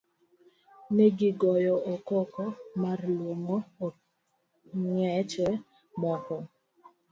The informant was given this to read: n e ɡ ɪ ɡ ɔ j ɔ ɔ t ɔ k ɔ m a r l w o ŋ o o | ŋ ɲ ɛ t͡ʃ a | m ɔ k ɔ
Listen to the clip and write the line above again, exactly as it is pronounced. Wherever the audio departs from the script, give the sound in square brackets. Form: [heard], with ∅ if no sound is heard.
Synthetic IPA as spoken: n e ɡ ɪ ɡ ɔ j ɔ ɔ [k] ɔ k ɔ m a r l w o ŋ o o | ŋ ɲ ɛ t͡ʃ [ɛ] | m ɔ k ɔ